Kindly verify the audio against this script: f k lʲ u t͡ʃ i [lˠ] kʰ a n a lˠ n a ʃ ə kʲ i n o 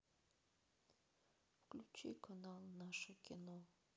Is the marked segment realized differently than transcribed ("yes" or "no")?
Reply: yes